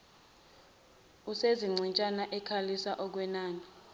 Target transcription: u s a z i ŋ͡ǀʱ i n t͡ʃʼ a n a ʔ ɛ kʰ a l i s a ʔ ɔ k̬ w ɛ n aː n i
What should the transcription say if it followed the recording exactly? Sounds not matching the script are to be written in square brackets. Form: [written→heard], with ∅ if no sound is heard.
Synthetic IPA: u s [a→e] z i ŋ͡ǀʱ i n t͡ʃʼ a n a ʔ ɛ kʰ a l i s a ʔ ɔ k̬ w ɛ n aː n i